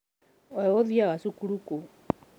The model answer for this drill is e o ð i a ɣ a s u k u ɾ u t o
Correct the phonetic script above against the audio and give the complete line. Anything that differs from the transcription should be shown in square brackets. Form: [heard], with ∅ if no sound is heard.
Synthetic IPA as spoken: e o ð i a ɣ a s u k u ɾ u [k] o